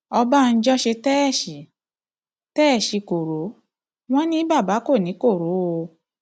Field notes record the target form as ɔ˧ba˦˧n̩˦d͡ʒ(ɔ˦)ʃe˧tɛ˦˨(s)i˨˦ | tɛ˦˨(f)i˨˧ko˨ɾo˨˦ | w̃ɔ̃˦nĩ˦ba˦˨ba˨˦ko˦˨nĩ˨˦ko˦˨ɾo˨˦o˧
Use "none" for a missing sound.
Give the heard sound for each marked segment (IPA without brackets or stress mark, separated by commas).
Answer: ɔ˦, ʃ, ʃ